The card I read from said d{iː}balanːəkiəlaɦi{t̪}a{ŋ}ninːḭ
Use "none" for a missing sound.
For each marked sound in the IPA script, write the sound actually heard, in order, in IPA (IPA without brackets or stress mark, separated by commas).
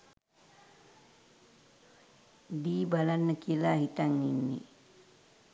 iː, t̪, ŋ